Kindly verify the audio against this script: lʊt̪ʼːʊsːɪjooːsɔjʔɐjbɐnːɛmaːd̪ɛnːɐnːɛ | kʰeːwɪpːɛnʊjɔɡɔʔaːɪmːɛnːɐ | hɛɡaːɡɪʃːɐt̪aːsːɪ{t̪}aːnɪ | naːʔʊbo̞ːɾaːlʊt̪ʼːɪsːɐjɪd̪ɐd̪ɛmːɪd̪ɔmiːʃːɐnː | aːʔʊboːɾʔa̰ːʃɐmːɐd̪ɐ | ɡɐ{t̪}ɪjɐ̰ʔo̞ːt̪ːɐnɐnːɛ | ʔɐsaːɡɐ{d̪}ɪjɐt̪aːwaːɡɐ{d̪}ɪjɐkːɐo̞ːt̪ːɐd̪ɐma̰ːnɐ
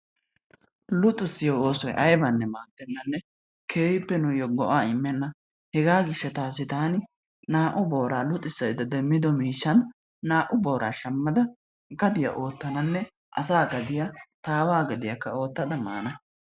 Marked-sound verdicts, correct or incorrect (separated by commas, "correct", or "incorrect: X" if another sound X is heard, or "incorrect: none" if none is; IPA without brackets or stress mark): correct, incorrect: d̪, correct, correct